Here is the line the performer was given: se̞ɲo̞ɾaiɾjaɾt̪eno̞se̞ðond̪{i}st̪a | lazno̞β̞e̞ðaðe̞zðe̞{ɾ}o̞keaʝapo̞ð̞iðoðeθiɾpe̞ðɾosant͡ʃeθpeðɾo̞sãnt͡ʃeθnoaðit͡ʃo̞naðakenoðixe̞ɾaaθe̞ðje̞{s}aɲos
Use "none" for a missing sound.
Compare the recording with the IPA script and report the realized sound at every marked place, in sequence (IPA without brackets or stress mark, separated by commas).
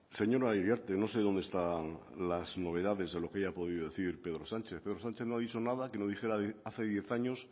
e, l, θ